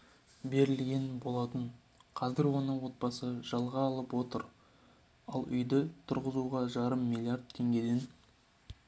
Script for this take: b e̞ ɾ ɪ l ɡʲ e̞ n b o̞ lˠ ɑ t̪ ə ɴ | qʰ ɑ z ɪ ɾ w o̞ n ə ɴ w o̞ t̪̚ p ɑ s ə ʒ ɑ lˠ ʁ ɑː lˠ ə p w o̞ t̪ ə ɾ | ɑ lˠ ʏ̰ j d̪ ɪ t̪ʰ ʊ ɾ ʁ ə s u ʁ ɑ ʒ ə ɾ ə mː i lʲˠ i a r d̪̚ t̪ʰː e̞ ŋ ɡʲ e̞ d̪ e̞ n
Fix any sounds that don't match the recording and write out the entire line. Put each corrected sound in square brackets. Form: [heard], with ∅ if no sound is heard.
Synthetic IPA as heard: b e̞ ɾ ɪ l ɡʲ e̞ n b o̞ lˠ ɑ t̪ ə ɴ | qʰ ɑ z ɪ ɾ w o̞ n ə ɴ w o̞ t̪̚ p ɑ s ə ʒ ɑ lˠ ʁ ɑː lˠ ə p w o̞ t̪ ə ɾ | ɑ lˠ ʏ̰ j d̪ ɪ t̪ʰ ʊ ɾ ʁ ə [z] u ʁ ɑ ʒ [ɑ] ɾ ə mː i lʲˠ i a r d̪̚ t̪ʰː e̞ ŋ ɡʲ e̞ d̪ e̞ n